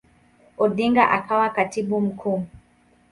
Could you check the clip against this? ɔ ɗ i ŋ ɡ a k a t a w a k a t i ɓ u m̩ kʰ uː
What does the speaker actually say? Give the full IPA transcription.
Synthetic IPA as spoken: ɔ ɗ i ŋ ɡ a ʔ a k a w a k a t i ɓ u m̩ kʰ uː